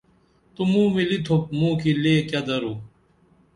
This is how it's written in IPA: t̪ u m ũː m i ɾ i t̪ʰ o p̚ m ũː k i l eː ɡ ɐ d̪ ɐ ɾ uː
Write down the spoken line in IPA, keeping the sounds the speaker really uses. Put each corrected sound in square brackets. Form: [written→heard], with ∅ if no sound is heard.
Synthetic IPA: t̪ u m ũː m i [ɾ→l] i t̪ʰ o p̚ m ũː k i l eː [ɡ→k] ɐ d̪ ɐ ɾ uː